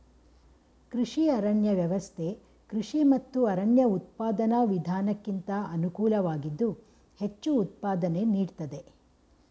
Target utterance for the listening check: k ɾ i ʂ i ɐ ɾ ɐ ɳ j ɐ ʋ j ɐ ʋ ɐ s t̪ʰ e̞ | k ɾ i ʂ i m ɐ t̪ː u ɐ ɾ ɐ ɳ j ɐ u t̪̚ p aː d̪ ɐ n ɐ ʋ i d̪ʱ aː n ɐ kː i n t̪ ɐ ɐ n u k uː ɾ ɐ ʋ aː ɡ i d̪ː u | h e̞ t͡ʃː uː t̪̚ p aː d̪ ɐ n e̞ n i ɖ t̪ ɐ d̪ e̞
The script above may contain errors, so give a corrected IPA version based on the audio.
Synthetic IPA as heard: k ɾ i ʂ i ɐ ɾ ɐ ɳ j ɐ ʋ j ɐ ʋ ɐ s t̪ʰ e̞ | k ɾ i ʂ i m ɐ t̪ː u ɐ ɾ ɐ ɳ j ɐ u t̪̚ p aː d̪ ɐ n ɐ ʋ i d̪ʱ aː n ɐ kː i n t̪ ɐ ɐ n u k uː l ɐ ʋ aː ɡ i d̪ː u | h e̞ t͡ʃː uː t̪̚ p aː d̪ ɐ n e̞ n iː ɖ t̪ ɐ d̪ e̞